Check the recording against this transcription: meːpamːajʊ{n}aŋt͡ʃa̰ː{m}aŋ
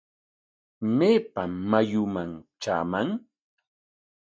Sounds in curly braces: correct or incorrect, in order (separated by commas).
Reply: incorrect, correct